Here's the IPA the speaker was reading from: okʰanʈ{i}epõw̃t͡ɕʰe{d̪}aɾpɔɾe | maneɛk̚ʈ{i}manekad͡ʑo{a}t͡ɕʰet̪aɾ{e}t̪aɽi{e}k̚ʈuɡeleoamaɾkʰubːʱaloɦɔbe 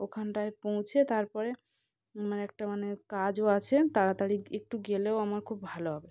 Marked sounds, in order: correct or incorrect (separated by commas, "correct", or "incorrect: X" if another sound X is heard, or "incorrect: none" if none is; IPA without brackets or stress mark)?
incorrect: a, incorrect: t̪, incorrect: a, correct, incorrect: a, correct